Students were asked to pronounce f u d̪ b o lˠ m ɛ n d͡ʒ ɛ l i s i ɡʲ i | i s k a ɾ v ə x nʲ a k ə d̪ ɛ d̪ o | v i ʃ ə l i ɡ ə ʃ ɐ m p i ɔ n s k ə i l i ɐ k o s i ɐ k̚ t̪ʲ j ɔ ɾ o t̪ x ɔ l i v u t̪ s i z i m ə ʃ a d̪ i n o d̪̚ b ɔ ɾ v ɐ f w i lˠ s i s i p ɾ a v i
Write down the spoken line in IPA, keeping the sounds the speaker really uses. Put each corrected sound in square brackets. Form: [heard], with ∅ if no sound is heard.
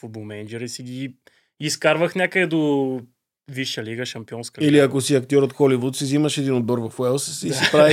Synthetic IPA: f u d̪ b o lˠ m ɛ n d͡ʒ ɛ [ɾ] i s i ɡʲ i | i s k a ɾ v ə x nʲ a k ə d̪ ɛ d̪ o | v i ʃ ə l i ɡ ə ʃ ɐ m p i ɔ n s k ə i l i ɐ k o s i ɐ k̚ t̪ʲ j ɔ ɾ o t̪ x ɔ l i v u t̪ s i z i m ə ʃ [ɛ] d̪ i n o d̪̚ b ɔ ɾ v ɐ f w [ɛ] lˠ s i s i p ɾ a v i